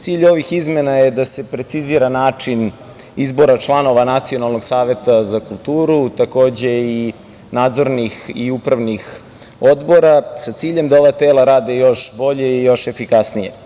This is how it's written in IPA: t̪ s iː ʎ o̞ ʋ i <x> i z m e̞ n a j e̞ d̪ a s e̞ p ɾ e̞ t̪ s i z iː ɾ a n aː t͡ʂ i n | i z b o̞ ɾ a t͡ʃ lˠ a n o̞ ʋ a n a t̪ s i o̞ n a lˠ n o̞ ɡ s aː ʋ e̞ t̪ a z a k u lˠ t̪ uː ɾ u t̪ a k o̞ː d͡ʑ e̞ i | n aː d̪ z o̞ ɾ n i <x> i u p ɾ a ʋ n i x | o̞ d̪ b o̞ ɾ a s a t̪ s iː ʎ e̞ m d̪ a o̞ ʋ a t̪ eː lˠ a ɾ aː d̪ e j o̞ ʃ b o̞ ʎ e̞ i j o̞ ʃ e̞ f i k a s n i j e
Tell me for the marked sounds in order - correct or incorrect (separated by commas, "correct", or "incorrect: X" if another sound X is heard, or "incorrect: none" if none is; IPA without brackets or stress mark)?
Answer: correct, correct